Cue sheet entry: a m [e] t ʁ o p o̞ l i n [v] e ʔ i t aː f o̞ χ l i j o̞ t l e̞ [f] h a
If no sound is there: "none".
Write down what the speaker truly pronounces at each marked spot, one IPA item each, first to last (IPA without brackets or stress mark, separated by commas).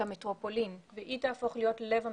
e, v, v